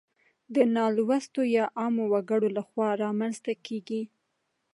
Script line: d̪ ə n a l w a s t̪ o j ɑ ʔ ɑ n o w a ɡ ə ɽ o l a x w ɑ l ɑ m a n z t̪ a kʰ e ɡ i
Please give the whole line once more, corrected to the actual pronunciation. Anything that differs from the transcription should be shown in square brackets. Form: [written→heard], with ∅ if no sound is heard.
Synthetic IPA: d̪ ə n [a→ɑ] l w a s t̪ o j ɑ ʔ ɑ [n→m] o w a ɡ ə ɽ o l a x w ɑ [l→ɾ] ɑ m a n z t̪ a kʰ e ɡ i